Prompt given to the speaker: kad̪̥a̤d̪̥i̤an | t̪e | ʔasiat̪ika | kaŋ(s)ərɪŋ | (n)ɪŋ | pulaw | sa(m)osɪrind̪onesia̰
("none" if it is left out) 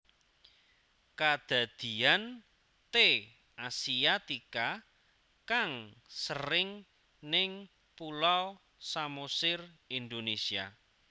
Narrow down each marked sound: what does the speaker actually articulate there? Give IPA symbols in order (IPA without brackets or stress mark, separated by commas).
s, n, m